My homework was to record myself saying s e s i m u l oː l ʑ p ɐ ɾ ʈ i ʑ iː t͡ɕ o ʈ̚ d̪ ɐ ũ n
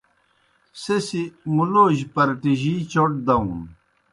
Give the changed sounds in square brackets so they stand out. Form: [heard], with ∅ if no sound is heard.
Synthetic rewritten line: s e s i m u l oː [∅] ʑ p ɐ ɾ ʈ i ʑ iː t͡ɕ o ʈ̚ d̪ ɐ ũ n